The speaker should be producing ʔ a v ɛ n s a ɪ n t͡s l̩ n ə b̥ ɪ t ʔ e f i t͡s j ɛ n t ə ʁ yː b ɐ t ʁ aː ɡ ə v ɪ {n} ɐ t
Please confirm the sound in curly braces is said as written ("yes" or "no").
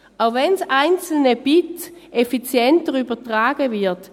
no